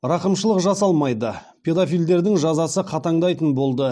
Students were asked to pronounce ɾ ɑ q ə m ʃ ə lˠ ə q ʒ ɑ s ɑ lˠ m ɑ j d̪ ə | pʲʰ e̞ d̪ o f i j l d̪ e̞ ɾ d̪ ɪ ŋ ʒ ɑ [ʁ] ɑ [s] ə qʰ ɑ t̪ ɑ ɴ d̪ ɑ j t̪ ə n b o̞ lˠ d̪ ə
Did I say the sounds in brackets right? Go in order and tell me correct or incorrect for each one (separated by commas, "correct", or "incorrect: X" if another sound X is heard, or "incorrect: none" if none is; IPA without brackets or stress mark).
incorrect: z, correct